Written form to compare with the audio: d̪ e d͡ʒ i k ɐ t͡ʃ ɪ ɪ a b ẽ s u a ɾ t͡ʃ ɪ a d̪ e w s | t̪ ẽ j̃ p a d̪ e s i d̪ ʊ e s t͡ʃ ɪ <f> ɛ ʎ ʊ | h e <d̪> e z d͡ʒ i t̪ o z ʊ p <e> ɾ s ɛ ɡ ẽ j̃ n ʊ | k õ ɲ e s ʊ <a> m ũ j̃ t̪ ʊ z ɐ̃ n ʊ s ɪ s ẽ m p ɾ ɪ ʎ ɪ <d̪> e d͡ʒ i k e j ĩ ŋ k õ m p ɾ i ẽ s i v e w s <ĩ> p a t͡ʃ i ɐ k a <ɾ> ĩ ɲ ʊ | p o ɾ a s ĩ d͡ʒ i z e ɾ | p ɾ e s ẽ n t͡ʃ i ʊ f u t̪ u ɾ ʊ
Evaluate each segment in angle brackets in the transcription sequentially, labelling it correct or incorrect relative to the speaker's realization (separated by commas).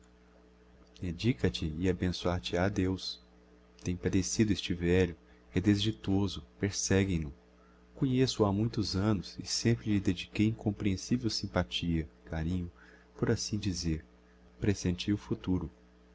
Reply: incorrect, correct, correct, correct, correct, correct, correct